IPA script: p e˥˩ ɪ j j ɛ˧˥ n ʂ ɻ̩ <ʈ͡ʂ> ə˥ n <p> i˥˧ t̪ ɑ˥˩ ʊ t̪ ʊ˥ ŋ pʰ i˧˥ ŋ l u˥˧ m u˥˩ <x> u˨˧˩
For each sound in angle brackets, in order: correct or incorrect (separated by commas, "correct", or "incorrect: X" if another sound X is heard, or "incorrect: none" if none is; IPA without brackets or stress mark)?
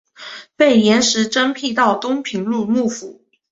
correct, incorrect: pʰ, incorrect: f